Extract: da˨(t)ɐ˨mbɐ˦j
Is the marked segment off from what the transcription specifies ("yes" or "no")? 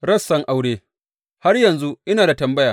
no